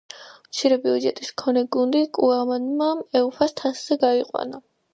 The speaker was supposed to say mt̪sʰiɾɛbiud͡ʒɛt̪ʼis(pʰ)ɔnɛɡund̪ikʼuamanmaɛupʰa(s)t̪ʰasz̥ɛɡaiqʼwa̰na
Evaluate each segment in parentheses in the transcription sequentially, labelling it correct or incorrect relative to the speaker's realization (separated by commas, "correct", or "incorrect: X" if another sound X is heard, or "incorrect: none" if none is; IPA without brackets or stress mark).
incorrect: kʰ, correct